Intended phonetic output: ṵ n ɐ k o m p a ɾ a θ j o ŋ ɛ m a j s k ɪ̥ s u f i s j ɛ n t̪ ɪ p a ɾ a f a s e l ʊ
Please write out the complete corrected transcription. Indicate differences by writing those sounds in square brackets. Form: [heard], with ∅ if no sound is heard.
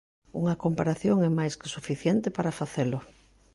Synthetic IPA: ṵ [ŋ] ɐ k o m p a ɾ a θ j o ŋ ɛ m a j s k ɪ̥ s u f i [θ] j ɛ n t̪ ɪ p a ɾ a f a [θ] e l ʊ